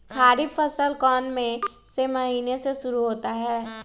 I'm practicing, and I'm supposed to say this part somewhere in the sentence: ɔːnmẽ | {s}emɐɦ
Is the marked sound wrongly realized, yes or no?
no